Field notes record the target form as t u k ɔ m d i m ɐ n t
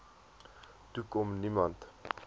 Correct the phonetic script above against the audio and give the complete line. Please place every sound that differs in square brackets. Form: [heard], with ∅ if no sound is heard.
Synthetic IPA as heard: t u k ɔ m [n] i m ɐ n t